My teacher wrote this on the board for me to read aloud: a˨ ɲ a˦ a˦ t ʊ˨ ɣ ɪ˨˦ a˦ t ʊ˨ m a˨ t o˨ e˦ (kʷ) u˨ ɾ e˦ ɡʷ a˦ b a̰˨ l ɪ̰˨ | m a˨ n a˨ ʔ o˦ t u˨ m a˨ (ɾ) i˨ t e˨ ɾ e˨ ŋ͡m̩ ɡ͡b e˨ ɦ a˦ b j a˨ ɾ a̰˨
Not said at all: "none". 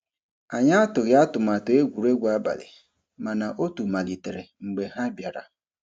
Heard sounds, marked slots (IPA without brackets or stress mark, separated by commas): ɡʷ, l